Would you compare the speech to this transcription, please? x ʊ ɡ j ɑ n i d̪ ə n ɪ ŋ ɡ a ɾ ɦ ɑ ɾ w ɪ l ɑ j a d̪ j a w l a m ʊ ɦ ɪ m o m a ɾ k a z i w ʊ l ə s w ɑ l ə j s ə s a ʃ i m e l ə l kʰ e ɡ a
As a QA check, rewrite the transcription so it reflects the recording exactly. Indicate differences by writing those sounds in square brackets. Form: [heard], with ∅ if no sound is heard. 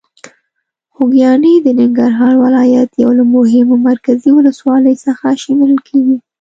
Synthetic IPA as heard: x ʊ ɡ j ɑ n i d̪ ə n ɪ ŋ ɡ a ɾ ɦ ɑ ɾ w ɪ l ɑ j a [t̪] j a w l a m ʊ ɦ ɪ m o m a ɾ k a z i w ʊ l ə s w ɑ l ə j s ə [x] a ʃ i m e l ə l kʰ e ɡ [i]